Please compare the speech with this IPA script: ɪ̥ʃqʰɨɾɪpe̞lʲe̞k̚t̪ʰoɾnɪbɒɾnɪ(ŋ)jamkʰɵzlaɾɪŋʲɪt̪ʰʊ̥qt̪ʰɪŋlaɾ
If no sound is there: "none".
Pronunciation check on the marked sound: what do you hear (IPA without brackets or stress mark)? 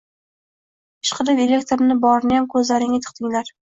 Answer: none